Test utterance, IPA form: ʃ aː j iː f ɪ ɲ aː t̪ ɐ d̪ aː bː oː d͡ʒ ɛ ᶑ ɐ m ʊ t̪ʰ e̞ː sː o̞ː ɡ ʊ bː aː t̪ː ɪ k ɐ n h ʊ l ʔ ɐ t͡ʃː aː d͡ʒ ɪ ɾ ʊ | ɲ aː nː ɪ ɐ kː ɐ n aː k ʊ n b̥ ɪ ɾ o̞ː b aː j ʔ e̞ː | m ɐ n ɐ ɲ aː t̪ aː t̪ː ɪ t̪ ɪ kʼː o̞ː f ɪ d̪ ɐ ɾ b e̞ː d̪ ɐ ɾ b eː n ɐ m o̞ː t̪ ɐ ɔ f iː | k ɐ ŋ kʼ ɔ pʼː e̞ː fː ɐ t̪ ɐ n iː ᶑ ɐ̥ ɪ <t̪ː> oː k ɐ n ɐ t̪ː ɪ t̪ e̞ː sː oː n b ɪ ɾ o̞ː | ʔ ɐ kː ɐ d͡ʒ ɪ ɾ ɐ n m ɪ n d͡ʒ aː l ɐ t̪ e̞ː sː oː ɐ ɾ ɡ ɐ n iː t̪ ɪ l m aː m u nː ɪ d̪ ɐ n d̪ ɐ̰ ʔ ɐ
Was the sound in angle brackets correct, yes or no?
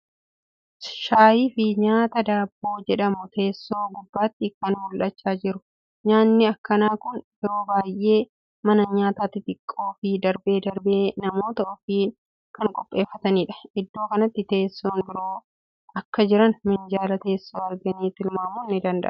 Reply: no